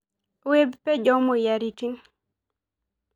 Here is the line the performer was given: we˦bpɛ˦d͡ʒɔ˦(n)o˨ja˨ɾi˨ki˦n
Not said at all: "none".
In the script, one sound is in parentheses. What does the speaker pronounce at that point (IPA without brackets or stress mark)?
m